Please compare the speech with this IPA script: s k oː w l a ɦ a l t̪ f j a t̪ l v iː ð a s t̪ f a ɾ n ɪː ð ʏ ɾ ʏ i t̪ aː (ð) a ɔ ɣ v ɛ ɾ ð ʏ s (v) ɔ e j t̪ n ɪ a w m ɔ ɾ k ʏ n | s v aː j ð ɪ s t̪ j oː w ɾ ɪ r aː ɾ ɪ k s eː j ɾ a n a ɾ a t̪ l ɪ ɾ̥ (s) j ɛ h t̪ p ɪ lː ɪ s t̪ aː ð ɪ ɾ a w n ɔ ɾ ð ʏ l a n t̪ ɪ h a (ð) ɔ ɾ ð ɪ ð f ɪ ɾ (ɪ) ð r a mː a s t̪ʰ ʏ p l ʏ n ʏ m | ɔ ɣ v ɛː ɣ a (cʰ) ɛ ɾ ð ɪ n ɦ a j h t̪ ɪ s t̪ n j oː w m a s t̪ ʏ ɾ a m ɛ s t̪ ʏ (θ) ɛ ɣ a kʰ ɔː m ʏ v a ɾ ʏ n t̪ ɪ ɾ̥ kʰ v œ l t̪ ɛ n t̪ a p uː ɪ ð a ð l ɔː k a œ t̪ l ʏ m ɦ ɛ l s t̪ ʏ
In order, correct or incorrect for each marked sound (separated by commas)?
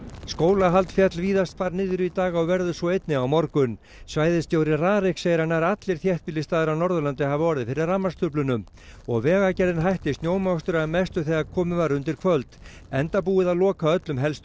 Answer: incorrect, correct, incorrect, incorrect, correct, incorrect, correct